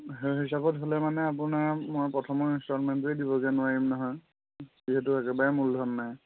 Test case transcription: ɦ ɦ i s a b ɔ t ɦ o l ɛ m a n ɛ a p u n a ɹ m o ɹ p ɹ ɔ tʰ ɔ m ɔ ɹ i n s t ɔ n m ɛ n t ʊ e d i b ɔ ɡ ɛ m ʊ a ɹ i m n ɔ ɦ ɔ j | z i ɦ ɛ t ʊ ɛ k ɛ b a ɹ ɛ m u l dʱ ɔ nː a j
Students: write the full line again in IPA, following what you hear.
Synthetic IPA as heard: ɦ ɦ i s a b ɔ t ɦ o l ɛ m a n ɛ a p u n a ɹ m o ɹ p ɹ ɔ tʰ ɔ m ɔ ɹ i n s t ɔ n m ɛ n t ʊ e d i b ɔ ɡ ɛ n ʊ a ɹ i m n ɔ ɦ ɔ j | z i ɦ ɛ t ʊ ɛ k ɛ b a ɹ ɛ m u l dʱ ɔ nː a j

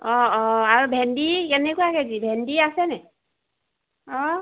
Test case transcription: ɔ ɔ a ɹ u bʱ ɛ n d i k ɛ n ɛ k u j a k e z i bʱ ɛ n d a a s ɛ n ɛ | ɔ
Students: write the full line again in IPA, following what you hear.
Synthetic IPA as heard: ɔ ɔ a ɹ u bʱ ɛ n d i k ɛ n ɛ k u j a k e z i bʱ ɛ n d i a s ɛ n ɛ | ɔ

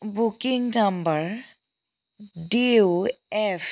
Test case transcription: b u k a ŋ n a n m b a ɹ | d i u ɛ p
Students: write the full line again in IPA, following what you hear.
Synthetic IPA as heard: b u k i ŋ n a m b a ɹ | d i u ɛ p

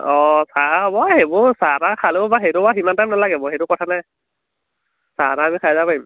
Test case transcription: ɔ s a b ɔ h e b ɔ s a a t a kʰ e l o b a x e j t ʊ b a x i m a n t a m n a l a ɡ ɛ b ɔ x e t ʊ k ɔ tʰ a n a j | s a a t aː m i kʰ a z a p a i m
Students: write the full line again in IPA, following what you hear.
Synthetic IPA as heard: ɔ s a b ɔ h e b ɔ s a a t a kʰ a l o b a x e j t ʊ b a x i m a n t a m n a l a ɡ ɛ b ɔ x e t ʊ k ɔ tʰ a n a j | s a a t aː m i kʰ a z a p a i m

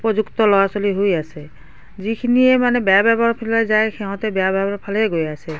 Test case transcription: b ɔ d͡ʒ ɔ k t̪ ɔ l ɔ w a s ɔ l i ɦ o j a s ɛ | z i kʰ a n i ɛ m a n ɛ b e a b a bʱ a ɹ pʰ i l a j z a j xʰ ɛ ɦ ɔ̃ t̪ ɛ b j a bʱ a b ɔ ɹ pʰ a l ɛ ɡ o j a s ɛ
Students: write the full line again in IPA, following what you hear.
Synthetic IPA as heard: p ɔ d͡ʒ u k t̪ ɔ l ɔ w a s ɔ l i ɦ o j a s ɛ | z i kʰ i n i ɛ m a n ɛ b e a b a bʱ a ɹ pʰ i l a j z a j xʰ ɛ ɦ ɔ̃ t̪ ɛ b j a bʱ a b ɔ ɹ pʰ a l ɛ ɡ o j a s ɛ

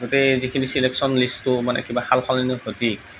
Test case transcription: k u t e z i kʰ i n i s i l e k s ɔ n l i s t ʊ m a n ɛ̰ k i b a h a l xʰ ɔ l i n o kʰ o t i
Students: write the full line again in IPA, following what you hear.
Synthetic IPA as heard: ɡ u t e z i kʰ i n i s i l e k s ɔ n l i s t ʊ m a n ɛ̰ k i b a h a l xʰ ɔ l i n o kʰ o t i

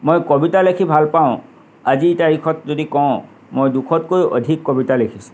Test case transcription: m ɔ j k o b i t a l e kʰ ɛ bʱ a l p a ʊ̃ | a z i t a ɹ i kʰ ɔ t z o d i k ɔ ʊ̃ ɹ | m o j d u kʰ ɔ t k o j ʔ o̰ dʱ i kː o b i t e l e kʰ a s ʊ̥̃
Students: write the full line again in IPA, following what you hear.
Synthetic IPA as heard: m o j k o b i t a l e kʰ i bʱ a l p a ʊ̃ | a z i t a ɹ i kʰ ɔ t z o d i k ɔ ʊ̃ | m o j d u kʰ ɔ t k o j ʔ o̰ dʱ i kː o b i t a l e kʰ i s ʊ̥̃

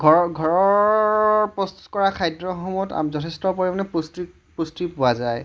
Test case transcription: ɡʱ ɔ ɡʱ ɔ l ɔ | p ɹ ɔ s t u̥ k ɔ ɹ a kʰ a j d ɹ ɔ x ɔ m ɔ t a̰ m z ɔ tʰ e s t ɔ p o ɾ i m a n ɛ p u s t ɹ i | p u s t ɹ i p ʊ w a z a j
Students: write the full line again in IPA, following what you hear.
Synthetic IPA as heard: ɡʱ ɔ ɡʱ ɔ ɹ ɔ | p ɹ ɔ s t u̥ k ɔ ɹ a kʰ a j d ɹ ɔ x ɔ m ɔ t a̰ m z ɔ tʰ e s t ɔ p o ɹ i m a n ɛ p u s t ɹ i | p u s t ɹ i p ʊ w a z a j

